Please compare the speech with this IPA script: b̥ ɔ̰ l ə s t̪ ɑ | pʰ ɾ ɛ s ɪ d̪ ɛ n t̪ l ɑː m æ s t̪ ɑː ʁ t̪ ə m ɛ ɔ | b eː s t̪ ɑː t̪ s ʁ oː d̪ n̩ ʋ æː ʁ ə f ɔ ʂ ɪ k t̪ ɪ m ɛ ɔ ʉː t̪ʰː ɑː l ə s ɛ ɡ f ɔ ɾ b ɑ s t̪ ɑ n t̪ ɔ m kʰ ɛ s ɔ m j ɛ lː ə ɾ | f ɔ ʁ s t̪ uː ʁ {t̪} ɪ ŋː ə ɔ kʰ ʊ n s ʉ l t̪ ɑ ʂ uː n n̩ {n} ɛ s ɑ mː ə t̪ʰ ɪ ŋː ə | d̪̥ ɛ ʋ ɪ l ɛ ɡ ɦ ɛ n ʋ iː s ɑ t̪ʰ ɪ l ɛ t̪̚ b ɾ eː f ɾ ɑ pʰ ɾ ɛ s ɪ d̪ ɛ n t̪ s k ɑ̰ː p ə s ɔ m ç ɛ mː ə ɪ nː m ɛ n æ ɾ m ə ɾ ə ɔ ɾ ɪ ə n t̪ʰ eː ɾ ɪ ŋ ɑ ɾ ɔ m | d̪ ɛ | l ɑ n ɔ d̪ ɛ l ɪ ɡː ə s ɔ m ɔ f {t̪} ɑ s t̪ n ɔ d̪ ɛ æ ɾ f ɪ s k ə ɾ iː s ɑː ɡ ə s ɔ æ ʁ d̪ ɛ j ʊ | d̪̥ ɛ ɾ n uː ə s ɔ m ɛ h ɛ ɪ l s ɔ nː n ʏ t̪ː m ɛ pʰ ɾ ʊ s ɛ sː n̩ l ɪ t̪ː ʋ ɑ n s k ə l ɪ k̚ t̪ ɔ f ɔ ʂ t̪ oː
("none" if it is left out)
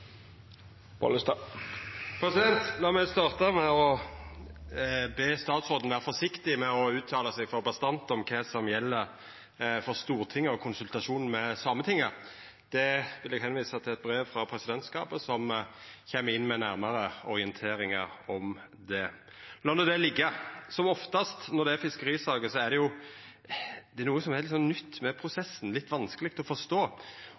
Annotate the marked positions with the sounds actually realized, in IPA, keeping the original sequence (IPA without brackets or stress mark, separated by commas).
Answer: t̪ʰ, m, t̪